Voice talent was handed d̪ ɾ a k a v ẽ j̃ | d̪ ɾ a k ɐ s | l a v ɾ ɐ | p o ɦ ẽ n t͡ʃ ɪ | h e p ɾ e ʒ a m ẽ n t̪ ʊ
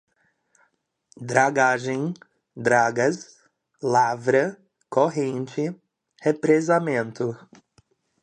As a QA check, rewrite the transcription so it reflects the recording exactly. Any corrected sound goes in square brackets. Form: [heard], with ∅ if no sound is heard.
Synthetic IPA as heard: d̪ ɾ a [ɡ] a [ʒ] ẽ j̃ | d̪ ɾ a [ɡ] ɐ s | l a v ɾ ɐ | [k] o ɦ ẽ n t͡ʃ ɪ | h e p ɾ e [z] a m ẽ n t̪ ʊ

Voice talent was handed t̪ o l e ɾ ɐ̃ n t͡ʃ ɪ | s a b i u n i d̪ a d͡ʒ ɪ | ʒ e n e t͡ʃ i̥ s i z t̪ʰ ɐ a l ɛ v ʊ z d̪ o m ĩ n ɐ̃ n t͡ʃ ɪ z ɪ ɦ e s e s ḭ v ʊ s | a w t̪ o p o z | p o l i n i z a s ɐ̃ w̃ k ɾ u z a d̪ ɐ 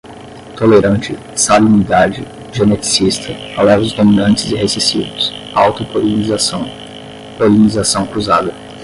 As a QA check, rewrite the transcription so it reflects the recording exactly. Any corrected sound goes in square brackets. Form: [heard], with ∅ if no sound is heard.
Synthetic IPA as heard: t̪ o l e ɾ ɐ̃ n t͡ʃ ɪ | s a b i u n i d̪ a d͡ʒ ɪ | ʒ e n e t͡ʃ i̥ s i [s] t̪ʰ ɐ a l ɛ v ʊ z d̪ o m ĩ n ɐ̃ n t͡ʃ ɪ z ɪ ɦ e s e s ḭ v ʊ s | a w t̪ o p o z | p o l i n i z a s ɐ̃ w̃ k ɾ u z a d̪ ɐ

